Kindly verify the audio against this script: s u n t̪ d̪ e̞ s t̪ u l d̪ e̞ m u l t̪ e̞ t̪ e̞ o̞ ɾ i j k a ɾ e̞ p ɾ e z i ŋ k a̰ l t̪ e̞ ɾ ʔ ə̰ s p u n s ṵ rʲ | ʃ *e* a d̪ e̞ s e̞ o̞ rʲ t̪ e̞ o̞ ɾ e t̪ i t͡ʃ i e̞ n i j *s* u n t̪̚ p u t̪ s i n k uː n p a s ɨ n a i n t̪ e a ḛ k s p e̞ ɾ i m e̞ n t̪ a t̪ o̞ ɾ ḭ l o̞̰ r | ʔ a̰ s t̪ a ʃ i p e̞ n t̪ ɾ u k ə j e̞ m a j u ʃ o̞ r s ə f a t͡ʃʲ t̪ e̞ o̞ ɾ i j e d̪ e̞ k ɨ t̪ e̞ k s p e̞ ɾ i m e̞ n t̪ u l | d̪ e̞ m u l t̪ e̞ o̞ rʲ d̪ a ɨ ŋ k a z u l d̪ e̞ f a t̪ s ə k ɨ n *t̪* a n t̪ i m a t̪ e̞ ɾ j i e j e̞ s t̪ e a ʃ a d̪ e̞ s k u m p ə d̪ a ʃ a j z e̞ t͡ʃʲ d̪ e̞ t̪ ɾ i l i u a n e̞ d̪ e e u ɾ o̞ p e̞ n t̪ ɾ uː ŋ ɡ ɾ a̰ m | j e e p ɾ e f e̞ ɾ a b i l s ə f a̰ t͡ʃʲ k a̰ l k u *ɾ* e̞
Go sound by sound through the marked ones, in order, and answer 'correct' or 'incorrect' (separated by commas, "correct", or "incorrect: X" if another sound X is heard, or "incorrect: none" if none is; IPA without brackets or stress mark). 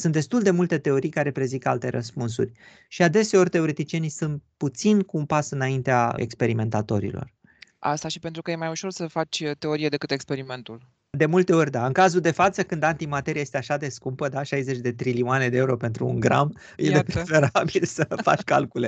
incorrect: i, correct, incorrect: d̪, incorrect: l